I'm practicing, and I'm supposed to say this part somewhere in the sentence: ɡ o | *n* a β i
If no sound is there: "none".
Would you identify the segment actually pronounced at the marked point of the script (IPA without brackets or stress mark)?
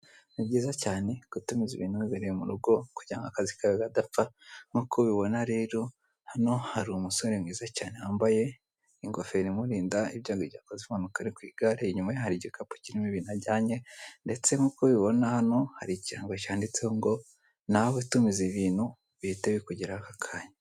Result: n